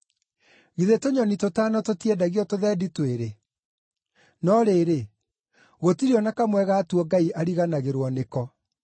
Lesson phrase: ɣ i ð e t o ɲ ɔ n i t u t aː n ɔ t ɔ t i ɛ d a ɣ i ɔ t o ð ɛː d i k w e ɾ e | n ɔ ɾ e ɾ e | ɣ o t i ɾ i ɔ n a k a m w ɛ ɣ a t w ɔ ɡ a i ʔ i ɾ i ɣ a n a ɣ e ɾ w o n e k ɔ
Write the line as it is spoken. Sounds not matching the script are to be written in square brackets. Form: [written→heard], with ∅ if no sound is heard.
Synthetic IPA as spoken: ɣ i ð e t o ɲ ɔ n i t [u→o] t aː n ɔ t [ɔ→o] t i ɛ d a ɣ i ɔ t o ð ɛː d i [k→t] w e ɾ e | n ɔ ɾ e ɾ e | ɣ o t i ɾ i ɔ n a k a m w ɛ ɣ a t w ɔ ɡ a i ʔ [i→a] ɾ i ɣ a n a ɣ e ɾ w [o→ɔ] n e k ɔ